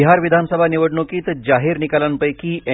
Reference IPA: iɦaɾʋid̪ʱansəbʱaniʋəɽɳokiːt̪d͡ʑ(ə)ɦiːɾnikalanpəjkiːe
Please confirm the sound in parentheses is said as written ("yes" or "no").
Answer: no